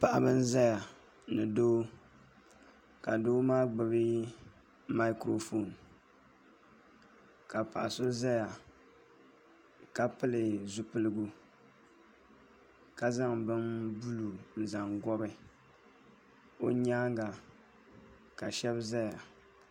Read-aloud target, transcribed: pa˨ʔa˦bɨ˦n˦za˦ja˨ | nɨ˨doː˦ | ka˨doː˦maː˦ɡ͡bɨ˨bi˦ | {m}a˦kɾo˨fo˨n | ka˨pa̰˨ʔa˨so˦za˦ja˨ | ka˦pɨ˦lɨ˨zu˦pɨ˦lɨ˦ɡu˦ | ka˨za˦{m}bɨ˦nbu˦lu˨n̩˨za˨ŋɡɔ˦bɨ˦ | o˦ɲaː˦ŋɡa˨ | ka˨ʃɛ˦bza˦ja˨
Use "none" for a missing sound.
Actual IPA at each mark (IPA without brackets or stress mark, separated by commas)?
m, ŋ